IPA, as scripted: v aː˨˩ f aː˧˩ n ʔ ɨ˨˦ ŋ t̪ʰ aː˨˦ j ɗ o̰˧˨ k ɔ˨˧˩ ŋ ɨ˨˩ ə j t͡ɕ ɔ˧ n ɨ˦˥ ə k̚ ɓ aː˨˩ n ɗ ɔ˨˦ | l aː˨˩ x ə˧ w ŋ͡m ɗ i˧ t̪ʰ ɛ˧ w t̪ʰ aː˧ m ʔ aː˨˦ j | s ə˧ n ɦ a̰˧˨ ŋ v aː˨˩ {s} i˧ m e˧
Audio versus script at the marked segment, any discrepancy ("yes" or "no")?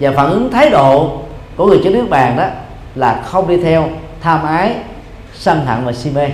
no